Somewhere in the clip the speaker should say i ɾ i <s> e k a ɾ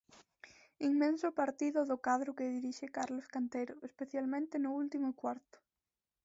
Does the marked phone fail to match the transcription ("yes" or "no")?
yes